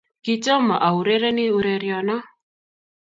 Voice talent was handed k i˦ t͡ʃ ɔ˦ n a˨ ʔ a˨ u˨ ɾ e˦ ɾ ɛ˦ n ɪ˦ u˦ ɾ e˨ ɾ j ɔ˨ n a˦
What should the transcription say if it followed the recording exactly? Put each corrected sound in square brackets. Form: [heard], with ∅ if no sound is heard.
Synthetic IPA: k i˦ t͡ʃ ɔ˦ [m] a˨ ʔ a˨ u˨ ɾ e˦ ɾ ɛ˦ n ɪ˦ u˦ ɾ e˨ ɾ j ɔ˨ n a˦